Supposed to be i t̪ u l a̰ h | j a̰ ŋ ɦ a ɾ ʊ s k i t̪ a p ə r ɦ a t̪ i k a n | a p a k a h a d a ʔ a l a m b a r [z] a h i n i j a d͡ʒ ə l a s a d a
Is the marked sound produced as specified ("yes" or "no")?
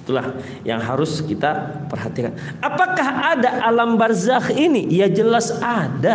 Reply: yes